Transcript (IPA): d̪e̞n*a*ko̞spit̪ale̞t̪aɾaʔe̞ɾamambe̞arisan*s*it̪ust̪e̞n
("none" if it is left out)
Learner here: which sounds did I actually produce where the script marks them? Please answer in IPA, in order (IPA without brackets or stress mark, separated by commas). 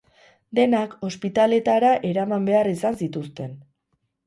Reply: a, s